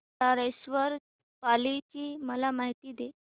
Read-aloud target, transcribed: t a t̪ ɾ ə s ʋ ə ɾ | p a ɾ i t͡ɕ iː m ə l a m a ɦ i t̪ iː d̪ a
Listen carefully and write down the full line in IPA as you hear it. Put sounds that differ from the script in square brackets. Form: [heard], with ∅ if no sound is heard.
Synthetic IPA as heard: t a [∅] ɾ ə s ʋ ə ɾ | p a [l] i t͡ɕ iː m ə l a m a ɦ i t̪ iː d̪ [e]